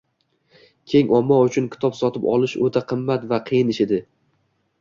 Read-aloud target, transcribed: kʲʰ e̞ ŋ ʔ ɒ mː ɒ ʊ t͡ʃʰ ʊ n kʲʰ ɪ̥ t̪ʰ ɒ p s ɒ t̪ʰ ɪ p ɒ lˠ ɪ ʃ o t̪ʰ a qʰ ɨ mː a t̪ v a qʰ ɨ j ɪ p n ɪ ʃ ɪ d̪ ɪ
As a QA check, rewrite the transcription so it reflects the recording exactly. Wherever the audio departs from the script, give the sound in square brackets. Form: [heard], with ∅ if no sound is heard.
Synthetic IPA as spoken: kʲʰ e̞ ŋ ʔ ɒ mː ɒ ʊ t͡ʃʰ ʊ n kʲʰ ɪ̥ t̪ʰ ɒ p s ɒ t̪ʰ ɪ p ɒ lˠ ɪ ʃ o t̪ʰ a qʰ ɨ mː a t̪ v a qʰ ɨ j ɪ [∅] n ɪ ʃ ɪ d̪ ɪ

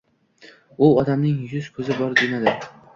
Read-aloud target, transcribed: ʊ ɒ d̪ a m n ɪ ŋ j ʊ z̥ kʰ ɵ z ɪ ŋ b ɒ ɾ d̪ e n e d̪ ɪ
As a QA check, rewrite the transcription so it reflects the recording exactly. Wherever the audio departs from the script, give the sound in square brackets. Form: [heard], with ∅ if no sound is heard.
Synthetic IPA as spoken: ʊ ɒ d̪ a m n ɪ ŋ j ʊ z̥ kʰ ɵ z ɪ [∅] b ɒ ɾ d̪ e n [a] d̪ ɪ

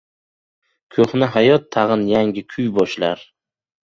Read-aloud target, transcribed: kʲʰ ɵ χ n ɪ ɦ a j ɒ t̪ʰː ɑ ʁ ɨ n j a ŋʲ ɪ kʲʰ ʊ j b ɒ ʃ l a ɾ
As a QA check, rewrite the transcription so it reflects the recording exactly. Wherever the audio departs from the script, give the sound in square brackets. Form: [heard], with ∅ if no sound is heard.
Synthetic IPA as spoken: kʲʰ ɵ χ n ɪ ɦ a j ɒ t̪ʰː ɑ ʁ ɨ n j a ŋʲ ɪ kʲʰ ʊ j b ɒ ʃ l a ɾ

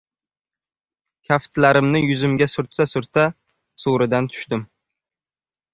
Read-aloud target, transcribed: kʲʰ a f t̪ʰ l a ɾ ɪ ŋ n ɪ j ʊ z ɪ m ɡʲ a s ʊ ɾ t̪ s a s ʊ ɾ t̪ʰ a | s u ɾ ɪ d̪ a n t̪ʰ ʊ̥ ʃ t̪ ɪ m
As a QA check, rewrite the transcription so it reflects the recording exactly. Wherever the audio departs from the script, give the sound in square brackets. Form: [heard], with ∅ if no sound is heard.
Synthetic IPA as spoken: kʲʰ a f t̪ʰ l a ɾ ɪ [m] n ɪ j ʊ z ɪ m ɡʲ a s ʊ ɾ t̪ s a s ʊ ɾ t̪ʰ a | s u ɾ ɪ d̪ a n t̪ʰ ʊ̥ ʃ t̪ ɪ m

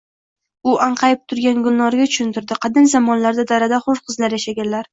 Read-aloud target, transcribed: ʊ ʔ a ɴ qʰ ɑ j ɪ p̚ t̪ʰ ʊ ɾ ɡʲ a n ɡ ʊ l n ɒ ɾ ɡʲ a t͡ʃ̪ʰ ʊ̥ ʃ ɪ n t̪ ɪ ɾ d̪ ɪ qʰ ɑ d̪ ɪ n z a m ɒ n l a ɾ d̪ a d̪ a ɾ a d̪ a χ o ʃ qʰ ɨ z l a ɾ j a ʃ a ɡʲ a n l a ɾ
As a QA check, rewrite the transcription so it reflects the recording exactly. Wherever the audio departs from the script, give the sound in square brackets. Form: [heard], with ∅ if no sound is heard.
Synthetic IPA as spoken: ʊ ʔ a ɴ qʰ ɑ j ɪ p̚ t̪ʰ ʊ ɾ ɡʲ a n ɡ ʊ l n ɒ ɾ ɡʲ a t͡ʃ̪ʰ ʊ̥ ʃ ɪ n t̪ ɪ ɾ d̪ ɪ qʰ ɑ d̪ ɪ n z a m ɒ n l a ɾ d̪ a d̪ a ɾ a d̪ a χ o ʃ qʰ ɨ z l a ɾ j a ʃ a ɡʲ a n l a ɾ

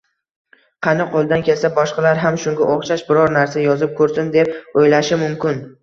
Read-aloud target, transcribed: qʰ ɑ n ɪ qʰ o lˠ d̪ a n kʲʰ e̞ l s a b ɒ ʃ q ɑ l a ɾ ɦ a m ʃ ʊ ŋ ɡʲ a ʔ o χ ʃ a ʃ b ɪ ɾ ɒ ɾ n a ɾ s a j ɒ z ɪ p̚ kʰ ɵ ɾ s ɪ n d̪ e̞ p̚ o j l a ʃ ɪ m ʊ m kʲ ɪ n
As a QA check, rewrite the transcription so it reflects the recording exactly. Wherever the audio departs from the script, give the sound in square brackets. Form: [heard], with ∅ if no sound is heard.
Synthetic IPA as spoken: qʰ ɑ n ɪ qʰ o lˠ d̪ a n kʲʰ e̞ l s a b ɒ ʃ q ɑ l a ɾ ɦ a m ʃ ʊ ŋ ɡʲ a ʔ o χ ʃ a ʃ b ɪ ɾ ɒ ɾ n a ɾ s a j ɒ z ɪ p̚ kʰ ɵ ɾ s ɪ n d̪ e̞ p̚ o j l a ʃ ɪ m ʊ m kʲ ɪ n

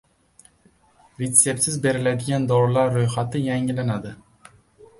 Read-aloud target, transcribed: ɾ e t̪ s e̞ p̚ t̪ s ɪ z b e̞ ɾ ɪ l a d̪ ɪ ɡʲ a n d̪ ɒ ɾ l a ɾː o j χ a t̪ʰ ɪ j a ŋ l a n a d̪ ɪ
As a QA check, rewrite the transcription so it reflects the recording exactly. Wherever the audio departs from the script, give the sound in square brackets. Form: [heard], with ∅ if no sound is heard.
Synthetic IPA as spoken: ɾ e t̪ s e̞ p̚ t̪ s ɪ z b e̞ ɾ ɪ l a d̪ ɪ ɡʲ a n d̪ ɒ ɾ l a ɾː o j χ a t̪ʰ ɪ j a ŋ l a n a d̪ ɪ

